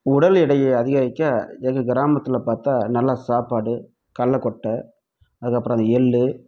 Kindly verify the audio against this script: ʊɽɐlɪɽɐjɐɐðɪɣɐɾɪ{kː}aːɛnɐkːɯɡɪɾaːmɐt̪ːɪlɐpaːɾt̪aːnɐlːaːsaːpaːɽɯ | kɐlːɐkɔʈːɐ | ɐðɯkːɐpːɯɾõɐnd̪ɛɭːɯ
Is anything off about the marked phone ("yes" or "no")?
no